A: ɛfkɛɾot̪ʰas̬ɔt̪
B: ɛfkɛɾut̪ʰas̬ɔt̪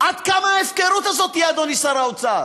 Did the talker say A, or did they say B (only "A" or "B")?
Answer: B